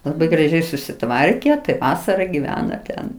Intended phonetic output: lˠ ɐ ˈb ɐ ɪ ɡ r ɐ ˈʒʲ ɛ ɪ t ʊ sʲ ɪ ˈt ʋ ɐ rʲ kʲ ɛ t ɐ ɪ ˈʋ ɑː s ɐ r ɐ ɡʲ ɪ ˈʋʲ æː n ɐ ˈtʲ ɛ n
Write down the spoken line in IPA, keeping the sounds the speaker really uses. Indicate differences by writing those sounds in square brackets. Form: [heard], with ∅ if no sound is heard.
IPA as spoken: lˠ ɐ ˈb ɐ ɪ ɡ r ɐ ˈʒʲ ɛ ɪ [s] ʊ sʲ ɪ ˈt ʋ ɐ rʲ kʲ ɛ t ɐ ɪ ˈʋ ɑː s ɐ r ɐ ɡʲ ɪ ˈʋʲ æː n ɐ ˈtʲ ɛ n